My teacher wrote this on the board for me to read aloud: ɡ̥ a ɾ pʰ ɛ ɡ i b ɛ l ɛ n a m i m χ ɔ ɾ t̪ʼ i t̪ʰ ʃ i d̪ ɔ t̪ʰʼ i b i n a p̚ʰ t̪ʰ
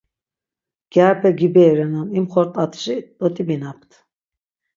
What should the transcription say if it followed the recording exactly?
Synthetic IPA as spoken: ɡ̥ a ɾ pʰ ɛ ɡ i b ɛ ɾ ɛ n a n i m χ ɔ ɾ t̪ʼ a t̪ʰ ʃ i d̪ ɔ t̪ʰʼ i b i n a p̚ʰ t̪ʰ